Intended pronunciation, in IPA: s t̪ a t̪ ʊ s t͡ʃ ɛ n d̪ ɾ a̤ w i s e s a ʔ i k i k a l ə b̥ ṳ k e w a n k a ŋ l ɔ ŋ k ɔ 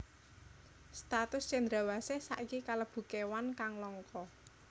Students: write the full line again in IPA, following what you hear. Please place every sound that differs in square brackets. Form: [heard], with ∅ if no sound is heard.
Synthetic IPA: s t̪ a t̪ ʊ s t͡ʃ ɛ n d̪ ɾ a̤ w [a] s e s a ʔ i k i k a l ə b̥ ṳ k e w a n k a ŋ l ɔ ŋ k ɔ